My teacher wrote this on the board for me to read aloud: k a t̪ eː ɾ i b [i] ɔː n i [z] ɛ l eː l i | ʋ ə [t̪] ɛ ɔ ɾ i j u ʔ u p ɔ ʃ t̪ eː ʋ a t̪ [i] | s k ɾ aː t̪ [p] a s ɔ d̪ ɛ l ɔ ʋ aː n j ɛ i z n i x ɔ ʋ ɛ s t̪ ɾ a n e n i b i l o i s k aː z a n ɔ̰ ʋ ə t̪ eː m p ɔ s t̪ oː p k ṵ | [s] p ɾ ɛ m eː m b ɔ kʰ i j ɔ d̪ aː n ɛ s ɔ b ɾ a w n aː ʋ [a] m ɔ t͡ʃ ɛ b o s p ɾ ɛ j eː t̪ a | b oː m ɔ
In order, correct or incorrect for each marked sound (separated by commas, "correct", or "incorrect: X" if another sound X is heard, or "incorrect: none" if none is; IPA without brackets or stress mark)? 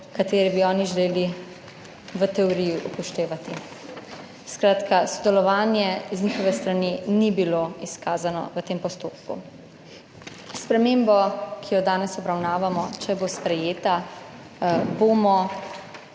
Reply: correct, incorrect: ʒ, correct, correct, incorrect: k, correct, correct